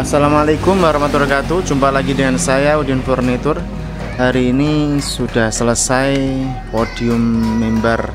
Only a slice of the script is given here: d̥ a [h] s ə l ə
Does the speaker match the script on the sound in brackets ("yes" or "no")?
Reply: yes